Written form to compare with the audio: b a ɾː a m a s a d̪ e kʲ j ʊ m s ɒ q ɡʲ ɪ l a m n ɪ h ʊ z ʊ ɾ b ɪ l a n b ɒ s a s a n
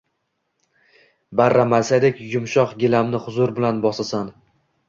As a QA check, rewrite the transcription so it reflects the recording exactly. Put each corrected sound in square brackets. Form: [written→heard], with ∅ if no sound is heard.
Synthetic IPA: b a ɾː a m a s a d̪ e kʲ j ʊ m [s→ʃ] ɒ q ɡʲ ɪ l a m n ɪ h ʊ z ʊ ɾ b ɪ l a n b ɒ s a s a n